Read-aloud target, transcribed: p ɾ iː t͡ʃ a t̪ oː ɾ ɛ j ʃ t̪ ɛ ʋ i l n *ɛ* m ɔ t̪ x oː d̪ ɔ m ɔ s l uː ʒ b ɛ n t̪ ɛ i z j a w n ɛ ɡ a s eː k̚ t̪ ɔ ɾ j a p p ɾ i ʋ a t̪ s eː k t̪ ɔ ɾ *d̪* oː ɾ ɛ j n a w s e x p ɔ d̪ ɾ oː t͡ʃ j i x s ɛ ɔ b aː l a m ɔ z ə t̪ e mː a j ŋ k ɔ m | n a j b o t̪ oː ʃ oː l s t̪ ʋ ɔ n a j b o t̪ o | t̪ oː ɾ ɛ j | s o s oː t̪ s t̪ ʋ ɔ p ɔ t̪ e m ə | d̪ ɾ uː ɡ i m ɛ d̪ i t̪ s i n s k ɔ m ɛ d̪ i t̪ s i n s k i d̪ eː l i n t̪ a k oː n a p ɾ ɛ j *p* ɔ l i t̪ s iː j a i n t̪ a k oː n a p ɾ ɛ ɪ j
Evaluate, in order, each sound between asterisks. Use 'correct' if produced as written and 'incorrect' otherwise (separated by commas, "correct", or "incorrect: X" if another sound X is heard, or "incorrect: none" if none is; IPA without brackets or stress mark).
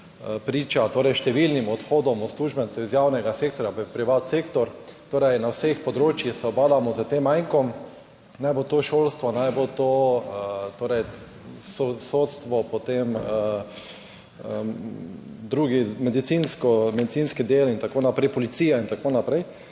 incorrect: i, incorrect: t̪, correct